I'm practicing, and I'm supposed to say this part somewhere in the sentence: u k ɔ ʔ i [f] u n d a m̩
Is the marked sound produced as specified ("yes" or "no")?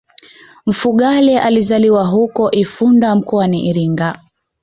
yes